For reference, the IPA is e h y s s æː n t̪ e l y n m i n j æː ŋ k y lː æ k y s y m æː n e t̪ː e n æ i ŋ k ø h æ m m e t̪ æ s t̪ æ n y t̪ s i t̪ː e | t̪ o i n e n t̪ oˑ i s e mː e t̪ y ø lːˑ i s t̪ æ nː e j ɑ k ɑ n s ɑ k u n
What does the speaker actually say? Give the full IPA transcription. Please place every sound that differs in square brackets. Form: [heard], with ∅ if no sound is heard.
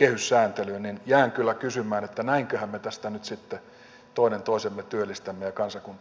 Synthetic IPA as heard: e h y s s æː n t̪ e l y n [n] i n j æː ŋ k y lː æ k y s y m æː n e t̪ː [æ] n æ i ŋ k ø h æ m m e t̪ æ s t̪ æ n y t̪ s i t̪ː e | t̪ o i n e n t̪ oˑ i s e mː e t̪ y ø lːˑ i s t̪ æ [mː] e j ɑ k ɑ n s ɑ k u n